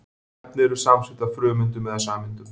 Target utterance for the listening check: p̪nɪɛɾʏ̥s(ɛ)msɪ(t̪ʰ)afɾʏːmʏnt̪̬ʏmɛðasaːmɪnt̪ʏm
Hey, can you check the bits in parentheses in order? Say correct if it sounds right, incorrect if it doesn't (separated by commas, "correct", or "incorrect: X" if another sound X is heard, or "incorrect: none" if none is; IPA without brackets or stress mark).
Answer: incorrect: a, incorrect: t̪